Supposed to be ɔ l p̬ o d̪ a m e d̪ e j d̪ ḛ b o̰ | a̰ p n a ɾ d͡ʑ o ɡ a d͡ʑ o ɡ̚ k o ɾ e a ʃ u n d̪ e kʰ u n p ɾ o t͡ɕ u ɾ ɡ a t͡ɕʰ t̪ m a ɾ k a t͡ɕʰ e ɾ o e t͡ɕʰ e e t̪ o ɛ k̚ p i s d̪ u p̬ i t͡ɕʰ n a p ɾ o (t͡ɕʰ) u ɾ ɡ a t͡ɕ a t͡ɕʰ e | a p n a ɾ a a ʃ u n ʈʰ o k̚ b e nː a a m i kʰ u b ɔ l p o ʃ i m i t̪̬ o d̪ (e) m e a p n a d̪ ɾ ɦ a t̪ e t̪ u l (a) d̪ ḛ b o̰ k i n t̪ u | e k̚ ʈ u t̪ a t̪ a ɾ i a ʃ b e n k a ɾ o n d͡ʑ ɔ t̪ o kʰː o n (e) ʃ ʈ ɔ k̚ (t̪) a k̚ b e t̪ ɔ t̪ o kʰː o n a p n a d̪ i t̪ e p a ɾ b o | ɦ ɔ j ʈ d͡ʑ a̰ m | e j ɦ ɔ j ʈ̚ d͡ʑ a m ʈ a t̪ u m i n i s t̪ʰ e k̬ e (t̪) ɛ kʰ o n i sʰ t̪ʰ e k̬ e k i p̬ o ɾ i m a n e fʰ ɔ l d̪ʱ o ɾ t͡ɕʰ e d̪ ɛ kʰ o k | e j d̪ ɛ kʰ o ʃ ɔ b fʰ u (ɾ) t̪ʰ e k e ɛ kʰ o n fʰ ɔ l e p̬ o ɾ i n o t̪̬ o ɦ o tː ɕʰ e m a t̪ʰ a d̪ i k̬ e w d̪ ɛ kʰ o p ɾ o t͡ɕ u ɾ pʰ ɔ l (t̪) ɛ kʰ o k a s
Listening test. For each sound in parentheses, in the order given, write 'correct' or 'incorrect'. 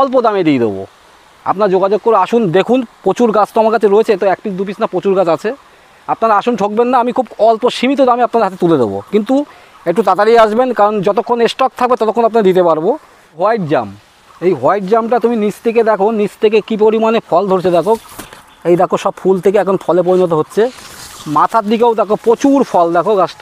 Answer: incorrect, incorrect, incorrect, correct, incorrect, incorrect, incorrect, incorrect

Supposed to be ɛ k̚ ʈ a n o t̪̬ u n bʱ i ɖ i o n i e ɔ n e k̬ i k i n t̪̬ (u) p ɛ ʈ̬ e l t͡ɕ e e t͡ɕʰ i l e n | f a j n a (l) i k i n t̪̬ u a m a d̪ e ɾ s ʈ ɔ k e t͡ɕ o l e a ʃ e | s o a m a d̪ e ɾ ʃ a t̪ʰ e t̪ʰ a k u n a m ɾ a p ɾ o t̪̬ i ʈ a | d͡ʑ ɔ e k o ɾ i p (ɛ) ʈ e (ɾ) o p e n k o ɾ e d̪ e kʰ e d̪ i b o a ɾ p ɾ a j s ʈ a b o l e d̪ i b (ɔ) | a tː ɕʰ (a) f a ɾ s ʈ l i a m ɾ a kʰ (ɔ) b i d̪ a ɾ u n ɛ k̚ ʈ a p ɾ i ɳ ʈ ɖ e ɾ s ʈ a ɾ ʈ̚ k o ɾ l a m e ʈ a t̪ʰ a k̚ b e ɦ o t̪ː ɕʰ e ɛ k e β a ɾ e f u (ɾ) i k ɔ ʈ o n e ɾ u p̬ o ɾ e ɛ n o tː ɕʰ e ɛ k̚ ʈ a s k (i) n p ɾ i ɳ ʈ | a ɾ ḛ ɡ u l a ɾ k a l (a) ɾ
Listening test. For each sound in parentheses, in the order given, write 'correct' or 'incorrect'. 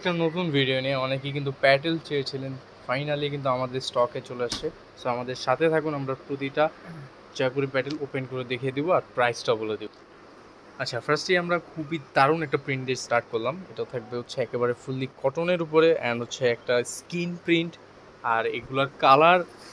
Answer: correct, correct, correct, incorrect, incorrect, correct, incorrect, incorrect, correct, correct

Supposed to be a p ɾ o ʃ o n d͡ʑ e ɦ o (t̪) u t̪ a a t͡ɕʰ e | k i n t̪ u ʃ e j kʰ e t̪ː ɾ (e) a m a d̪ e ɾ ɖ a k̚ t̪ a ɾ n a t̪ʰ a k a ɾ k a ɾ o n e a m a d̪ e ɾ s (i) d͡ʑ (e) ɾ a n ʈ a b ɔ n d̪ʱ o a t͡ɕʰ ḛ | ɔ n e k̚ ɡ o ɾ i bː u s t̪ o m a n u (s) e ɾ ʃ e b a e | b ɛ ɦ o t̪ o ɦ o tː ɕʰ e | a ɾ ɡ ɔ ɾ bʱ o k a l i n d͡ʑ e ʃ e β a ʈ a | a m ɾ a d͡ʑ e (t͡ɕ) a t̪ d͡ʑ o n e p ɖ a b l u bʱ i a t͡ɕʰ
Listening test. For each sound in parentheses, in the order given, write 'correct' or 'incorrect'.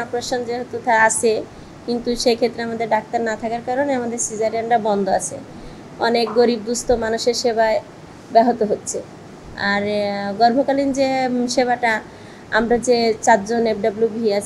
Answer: correct, correct, correct, incorrect, incorrect, correct

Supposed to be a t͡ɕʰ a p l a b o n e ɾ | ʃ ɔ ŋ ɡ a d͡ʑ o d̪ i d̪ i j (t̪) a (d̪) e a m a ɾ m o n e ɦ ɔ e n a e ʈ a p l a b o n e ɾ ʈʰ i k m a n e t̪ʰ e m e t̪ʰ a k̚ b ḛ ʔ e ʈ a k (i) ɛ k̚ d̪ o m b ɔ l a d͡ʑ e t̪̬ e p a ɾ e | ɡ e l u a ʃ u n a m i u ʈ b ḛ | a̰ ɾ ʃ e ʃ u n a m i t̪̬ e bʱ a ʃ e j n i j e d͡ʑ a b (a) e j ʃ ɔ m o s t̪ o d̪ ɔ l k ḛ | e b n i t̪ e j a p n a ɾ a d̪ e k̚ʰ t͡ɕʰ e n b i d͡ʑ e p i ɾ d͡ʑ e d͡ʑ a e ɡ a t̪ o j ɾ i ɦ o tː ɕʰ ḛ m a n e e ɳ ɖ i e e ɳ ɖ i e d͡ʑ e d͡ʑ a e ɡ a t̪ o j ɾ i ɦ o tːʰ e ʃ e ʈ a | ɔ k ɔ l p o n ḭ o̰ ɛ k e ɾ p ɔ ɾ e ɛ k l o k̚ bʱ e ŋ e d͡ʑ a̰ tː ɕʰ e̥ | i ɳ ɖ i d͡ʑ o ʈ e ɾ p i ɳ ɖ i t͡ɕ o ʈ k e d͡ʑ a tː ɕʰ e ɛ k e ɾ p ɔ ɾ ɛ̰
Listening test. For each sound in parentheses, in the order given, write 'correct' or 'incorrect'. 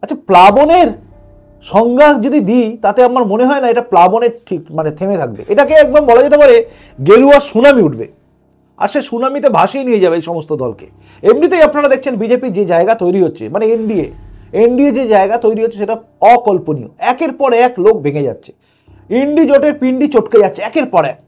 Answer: correct, incorrect, incorrect, incorrect

